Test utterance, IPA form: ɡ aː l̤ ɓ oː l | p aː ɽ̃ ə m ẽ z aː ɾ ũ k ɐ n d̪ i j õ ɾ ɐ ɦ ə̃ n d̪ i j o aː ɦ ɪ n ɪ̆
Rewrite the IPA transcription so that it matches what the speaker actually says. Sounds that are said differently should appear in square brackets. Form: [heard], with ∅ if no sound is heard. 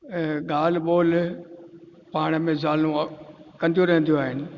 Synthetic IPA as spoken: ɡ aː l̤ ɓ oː l | p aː ɽ̃ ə m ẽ z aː [l] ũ k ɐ n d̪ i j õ ɾ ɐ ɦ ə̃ n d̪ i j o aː ɦ ɪ n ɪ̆